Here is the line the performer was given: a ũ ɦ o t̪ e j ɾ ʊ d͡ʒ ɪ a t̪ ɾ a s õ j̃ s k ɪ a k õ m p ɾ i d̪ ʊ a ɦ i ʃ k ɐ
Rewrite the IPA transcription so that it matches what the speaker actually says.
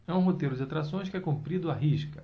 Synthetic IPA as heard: ɛ ũ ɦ o t̪ e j ɾ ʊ d͡ʒ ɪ a t̪ ɾ a s õ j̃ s k ɪ ɛ k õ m p ɾ i d̪ ʊ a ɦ i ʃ k ɐ